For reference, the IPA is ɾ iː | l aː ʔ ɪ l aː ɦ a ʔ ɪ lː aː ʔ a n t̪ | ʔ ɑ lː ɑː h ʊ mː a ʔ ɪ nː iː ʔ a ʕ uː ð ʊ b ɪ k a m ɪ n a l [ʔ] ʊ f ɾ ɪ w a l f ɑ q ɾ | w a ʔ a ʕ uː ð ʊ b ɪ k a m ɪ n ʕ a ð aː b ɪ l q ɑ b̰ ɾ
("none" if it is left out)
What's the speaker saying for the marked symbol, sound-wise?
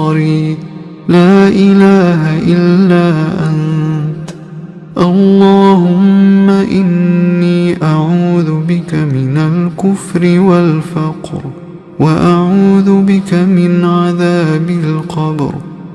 k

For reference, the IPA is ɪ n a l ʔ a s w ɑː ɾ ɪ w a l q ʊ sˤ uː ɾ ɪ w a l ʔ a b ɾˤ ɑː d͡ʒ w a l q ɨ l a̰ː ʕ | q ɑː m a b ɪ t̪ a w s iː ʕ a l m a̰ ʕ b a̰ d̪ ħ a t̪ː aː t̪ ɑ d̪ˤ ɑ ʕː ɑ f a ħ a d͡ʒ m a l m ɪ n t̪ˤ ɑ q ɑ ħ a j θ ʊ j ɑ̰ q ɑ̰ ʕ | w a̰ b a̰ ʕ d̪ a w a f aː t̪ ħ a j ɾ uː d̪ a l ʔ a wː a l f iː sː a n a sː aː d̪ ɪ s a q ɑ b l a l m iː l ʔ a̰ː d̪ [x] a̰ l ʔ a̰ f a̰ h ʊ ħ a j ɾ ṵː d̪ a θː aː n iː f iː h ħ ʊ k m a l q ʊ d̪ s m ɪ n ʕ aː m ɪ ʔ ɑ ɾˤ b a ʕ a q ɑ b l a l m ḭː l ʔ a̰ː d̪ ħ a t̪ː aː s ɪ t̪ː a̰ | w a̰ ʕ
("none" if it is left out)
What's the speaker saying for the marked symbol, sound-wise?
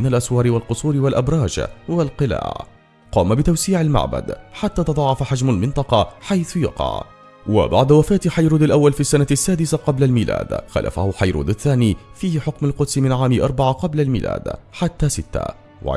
x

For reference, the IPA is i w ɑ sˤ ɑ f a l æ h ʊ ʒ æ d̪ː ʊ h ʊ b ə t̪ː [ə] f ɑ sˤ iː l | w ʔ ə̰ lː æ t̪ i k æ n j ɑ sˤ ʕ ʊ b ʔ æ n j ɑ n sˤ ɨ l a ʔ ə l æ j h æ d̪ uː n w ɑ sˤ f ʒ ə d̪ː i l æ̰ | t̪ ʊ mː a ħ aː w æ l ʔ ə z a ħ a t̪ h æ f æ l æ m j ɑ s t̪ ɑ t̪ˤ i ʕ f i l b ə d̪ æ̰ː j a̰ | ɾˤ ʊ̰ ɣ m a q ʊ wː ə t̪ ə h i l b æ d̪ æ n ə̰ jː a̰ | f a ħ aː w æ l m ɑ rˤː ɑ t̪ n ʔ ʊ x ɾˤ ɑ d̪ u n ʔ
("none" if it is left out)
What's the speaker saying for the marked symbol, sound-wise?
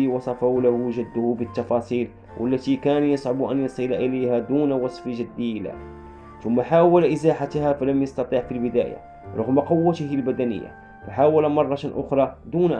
ɑ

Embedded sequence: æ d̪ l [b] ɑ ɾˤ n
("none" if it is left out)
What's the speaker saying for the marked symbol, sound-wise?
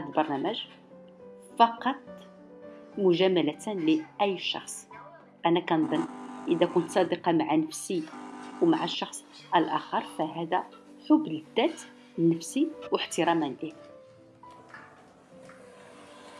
b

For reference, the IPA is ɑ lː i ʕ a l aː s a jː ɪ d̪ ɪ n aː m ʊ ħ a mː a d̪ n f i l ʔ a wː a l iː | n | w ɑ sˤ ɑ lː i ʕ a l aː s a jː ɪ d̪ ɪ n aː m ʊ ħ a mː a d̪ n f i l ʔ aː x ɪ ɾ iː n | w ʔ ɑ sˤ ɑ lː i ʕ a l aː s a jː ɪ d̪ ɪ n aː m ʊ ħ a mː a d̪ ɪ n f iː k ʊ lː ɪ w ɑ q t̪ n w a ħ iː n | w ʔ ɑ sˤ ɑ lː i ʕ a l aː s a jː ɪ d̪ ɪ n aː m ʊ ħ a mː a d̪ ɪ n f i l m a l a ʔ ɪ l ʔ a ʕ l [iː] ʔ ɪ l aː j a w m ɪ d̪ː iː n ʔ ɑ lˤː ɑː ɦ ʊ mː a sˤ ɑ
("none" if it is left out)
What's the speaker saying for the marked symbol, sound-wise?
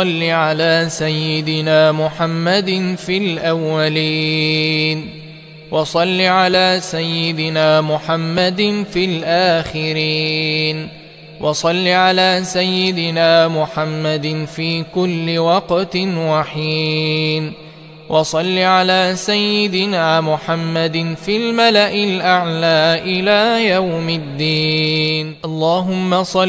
aː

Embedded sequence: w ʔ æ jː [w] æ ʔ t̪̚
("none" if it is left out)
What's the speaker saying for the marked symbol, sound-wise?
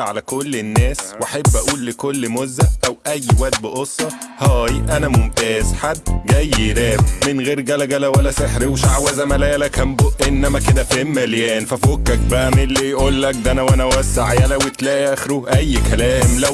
w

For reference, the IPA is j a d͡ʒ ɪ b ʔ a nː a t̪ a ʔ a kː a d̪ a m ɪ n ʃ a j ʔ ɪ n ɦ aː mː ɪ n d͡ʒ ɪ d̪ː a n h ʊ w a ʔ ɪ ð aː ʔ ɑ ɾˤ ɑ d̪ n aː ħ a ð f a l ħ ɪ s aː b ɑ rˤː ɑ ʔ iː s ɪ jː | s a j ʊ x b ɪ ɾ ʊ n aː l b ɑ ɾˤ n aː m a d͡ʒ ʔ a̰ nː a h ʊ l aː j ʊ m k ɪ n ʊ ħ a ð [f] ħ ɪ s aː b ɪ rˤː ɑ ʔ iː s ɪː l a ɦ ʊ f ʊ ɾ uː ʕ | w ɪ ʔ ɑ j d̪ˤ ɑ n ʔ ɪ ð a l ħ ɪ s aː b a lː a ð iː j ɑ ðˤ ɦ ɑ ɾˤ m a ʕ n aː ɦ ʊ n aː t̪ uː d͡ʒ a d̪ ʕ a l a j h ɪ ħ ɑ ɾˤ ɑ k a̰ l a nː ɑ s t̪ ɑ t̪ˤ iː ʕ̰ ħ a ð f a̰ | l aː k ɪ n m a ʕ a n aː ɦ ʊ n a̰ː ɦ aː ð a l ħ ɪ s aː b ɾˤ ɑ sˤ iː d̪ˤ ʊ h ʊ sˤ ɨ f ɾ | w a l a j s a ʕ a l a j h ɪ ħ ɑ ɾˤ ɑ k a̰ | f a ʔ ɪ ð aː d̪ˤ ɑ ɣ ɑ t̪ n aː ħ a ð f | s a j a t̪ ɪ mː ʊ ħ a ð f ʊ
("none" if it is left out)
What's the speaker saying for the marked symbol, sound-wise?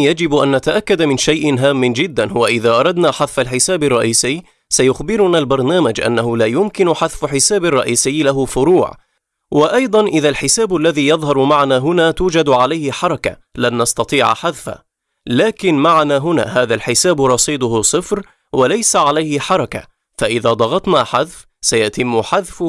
f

